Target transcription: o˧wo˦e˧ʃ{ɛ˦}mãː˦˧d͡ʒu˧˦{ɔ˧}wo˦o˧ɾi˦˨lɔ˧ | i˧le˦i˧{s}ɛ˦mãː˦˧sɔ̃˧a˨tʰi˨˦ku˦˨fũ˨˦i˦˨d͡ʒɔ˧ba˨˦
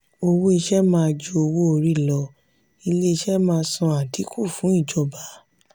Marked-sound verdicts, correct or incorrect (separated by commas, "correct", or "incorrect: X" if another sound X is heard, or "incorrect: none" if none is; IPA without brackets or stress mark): correct, incorrect: o˧, incorrect: ʃ